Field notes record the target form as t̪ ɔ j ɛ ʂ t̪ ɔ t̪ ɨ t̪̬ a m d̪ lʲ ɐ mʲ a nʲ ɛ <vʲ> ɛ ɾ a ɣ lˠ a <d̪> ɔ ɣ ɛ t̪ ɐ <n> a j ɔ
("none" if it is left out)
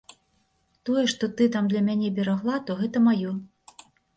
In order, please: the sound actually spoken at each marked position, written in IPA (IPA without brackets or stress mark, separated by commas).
bʲ, t̪, m